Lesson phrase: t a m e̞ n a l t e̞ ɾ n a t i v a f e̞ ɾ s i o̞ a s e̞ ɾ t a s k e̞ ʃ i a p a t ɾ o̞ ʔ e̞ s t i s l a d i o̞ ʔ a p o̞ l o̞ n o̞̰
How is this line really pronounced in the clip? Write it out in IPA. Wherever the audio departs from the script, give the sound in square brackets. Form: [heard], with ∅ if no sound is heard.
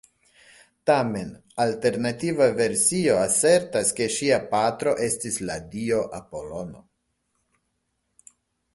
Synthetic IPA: t a m e̞ n a l t e̞ ɾ n a t i v a [v] e̞ ɾ s i o̞ a s e̞ ɾ t a s k e̞ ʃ i a p a t ɾ o̞ ʔ e̞ s t i s l a d i o̞ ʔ a p o̞ l o̞ n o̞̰